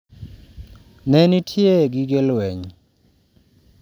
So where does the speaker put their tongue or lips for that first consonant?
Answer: tongue tip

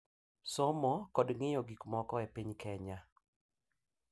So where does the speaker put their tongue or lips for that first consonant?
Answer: tongue tip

